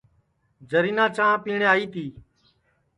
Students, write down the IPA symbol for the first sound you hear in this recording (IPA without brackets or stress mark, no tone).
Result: d͡ʒ